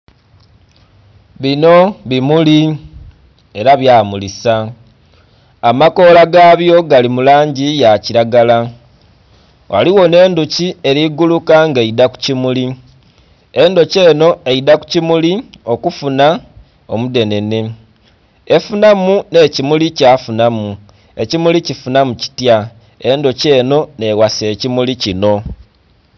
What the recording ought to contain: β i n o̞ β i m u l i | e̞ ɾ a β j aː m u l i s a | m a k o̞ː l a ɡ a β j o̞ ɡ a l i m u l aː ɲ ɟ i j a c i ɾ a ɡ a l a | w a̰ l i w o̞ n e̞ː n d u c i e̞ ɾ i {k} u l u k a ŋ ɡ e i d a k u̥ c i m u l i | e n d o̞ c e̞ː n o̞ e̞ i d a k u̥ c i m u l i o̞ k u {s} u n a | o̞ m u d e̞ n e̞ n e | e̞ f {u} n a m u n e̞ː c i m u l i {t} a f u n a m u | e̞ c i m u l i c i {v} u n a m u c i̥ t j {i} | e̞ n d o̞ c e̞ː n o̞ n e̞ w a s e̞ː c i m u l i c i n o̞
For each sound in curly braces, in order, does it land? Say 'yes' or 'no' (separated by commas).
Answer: no, no, yes, no, no, no